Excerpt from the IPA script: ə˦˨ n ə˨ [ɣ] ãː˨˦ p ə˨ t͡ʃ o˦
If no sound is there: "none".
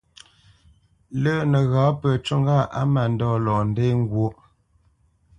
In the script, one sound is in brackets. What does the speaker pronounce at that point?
ɣ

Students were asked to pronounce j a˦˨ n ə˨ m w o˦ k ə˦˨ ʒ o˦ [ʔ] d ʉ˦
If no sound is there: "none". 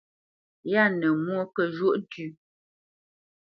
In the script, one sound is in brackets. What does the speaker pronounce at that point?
ʔ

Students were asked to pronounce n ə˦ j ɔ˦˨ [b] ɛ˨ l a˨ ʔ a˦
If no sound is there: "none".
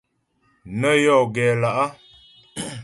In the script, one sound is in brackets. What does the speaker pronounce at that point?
ɡ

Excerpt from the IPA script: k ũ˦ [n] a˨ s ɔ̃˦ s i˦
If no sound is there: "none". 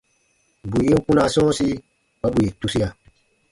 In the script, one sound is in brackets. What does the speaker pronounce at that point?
n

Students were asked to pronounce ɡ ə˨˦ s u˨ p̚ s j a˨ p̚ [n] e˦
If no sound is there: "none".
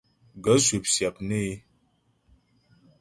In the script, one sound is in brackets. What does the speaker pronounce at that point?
n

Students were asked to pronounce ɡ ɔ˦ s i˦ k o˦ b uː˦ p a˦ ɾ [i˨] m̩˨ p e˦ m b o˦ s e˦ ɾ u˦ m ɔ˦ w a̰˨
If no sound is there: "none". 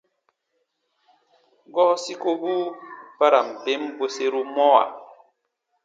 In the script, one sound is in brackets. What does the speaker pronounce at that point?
a˨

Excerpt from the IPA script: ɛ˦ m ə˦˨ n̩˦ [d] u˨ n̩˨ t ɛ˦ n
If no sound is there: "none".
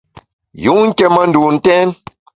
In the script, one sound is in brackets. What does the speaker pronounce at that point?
d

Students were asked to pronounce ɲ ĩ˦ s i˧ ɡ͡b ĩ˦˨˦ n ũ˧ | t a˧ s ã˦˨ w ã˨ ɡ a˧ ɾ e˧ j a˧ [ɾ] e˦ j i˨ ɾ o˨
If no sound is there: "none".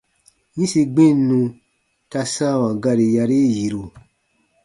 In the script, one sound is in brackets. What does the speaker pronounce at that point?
ɾ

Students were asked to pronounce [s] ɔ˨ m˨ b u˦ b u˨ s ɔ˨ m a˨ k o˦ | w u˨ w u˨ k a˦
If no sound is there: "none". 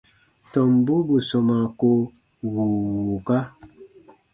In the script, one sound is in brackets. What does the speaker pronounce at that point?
t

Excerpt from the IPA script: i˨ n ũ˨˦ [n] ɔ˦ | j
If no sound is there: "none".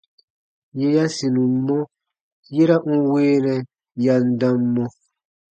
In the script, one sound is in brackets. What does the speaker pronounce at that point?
m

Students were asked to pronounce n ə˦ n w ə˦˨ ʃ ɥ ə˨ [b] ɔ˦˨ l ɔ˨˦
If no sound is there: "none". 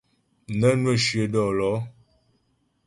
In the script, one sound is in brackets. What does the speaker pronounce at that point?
d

